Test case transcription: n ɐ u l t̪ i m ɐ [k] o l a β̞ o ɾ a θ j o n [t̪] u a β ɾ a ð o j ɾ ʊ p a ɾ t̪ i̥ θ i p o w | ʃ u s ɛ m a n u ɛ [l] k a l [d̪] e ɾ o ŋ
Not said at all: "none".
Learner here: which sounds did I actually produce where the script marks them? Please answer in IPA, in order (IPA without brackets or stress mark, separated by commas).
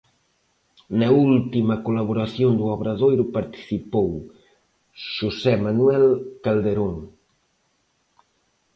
k, d̪, l, d̪